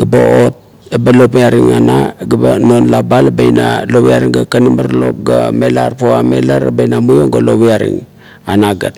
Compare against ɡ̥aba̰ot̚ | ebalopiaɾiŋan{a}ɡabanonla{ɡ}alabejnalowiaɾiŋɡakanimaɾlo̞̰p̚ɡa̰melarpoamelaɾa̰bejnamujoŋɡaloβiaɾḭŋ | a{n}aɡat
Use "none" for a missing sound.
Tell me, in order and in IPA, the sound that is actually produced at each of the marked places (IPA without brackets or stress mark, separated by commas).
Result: a, b, n